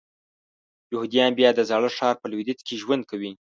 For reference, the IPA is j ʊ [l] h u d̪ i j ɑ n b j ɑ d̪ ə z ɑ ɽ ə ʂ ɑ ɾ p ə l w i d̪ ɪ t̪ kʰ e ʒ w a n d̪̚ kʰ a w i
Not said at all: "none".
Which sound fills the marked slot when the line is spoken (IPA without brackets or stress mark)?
none